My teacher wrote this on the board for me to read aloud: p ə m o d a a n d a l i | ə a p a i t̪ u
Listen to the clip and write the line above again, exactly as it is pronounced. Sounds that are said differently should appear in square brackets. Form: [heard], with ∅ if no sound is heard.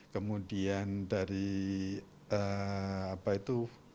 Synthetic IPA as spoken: [k] ə m [u] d [i] a n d a [ɾ] i | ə a p a i t̪ u